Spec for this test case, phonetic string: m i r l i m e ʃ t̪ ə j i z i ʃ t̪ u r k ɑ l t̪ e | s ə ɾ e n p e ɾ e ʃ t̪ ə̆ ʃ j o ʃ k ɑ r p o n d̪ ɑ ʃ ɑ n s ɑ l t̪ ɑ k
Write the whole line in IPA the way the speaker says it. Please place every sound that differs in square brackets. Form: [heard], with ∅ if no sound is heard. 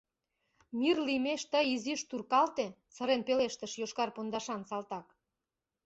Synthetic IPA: m i r l i m e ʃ t̪ ə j i z i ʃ t̪ u r k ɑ l t̪ e | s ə ɾ e n p e [l] e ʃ t̪ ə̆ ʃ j o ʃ k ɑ r p o n d̪ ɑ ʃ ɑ n s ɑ l t̪ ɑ k